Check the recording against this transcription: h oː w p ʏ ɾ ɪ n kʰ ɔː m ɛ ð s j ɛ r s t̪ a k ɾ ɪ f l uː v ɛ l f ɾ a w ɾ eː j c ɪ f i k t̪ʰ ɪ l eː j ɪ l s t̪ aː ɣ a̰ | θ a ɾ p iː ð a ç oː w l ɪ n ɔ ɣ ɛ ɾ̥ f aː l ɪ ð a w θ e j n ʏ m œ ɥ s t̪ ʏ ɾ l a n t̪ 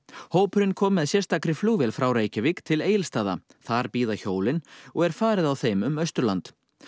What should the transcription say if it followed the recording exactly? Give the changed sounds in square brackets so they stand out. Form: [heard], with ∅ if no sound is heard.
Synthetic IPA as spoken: h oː w p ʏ ɾ ɪ n kʰ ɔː m ɛ ð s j ɛ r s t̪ a k ɾ ɪ f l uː v ɛ l f ɾ a w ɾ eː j c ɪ [v] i k t̪ʰ ɪ l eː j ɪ l s t̪ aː [ð] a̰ | θ a ɾ p iː ð a ç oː w l ɪ n ɔ ɣ ɛ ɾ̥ f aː [ɾ] ɪ ð a w θ e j [m] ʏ m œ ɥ s t̪ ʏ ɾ l a n t̪